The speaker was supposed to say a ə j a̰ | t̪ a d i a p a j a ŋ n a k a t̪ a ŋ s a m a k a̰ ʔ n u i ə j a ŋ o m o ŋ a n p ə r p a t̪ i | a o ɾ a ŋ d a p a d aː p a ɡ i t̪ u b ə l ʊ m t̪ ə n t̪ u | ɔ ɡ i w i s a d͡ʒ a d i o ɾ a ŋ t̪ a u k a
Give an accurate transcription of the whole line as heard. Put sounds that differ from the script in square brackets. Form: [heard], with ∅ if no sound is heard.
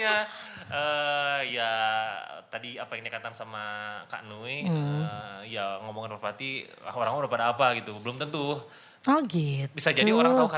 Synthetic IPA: a ə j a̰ | t̪ a d i a p a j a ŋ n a k a t̪ a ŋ s a m a k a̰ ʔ n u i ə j a ŋ o m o ŋ a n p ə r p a t̪ i | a o ɾ a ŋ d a p a d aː p a ɡ i t̪ u b ə l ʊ m t̪ ə n t̪ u | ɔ ɡ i [b] i s a d͡ʒ a d i o ɾ a ŋ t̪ a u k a